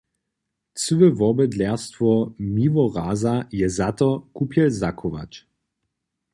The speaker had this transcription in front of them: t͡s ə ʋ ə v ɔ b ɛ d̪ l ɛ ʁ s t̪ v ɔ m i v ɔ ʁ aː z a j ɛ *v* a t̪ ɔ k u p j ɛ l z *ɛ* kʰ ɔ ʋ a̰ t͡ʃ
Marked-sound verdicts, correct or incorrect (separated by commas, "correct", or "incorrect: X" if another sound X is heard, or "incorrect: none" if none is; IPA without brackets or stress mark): incorrect: z, incorrect: a